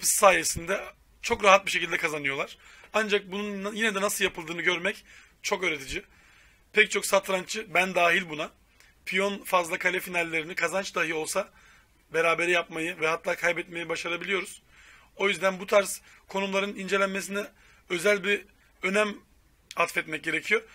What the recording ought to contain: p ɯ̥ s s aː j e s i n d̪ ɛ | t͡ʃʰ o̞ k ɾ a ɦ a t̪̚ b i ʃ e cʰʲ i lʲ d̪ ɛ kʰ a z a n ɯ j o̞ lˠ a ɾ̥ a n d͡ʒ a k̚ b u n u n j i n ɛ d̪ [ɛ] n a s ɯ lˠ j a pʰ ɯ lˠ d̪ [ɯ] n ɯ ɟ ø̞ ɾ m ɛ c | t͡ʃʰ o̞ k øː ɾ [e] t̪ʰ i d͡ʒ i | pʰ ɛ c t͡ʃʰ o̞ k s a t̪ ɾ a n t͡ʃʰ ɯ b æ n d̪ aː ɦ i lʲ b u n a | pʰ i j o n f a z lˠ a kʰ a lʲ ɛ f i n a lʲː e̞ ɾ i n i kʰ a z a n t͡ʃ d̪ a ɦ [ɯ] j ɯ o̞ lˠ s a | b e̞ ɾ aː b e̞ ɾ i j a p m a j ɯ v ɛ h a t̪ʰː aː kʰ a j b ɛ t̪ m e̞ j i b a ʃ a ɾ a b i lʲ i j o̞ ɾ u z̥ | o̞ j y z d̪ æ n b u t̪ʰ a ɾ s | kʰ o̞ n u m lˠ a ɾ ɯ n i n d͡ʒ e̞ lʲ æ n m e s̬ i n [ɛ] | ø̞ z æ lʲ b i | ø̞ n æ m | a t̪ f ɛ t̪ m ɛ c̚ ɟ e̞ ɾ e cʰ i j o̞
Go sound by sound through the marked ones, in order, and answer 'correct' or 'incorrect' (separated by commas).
correct, incorrect, correct, correct, correct